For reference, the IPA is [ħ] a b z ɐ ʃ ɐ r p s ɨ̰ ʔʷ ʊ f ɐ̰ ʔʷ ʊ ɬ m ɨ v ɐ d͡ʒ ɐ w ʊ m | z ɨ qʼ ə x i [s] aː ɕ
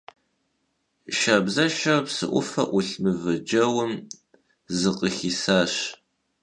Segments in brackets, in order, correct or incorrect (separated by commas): incorrect, correct